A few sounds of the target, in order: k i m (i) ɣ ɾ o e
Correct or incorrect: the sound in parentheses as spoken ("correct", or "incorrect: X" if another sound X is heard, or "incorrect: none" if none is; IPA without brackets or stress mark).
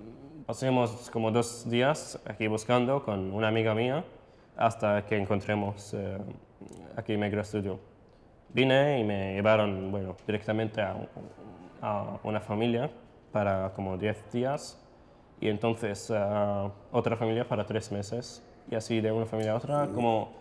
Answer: incorrect: e